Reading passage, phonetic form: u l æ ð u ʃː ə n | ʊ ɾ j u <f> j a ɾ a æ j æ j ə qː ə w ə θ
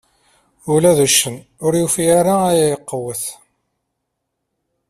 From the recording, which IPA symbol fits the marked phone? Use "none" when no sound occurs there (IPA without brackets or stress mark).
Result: f